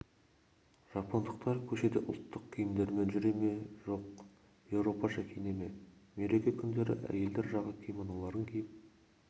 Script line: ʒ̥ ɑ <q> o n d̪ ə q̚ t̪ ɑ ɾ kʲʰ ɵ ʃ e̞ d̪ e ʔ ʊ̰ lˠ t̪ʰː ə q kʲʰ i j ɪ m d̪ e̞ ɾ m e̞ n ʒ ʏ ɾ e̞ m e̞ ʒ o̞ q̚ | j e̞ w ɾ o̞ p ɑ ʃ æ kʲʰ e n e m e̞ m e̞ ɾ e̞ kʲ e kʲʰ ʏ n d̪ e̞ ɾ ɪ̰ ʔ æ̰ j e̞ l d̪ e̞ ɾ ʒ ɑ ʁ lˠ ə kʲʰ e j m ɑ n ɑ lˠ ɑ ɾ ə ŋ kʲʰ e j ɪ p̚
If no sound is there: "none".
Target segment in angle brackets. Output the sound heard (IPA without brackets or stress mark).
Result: p